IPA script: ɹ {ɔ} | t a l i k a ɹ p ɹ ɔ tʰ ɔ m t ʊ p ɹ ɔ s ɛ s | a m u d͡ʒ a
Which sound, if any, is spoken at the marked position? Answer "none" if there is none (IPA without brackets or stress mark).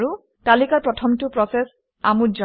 u